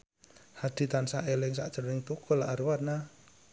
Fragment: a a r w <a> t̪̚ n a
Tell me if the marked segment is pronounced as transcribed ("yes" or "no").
yes